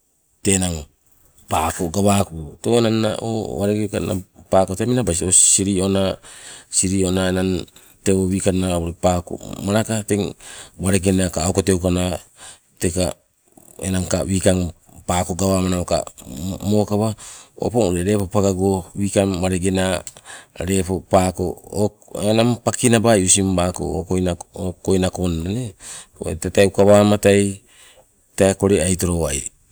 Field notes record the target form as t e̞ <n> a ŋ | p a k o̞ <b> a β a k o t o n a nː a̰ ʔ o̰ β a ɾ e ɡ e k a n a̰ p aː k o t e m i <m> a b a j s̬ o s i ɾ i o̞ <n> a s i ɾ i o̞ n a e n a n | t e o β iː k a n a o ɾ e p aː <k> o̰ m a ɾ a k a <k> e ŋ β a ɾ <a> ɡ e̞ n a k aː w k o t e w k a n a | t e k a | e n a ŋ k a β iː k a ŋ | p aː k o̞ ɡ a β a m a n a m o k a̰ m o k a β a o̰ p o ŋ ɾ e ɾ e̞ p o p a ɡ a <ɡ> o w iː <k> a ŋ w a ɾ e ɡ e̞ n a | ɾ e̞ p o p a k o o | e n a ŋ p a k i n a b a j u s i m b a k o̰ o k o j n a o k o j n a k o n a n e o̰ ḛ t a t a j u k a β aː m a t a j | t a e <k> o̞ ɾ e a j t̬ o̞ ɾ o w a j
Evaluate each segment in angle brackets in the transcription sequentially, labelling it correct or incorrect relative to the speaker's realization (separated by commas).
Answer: correct, incorrect, incorrect, correct, correct, incorrect, incorrect, correct, correct, correct